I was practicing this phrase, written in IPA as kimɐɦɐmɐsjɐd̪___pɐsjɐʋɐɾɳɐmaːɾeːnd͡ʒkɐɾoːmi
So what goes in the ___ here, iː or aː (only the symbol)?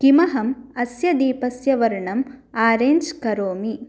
iː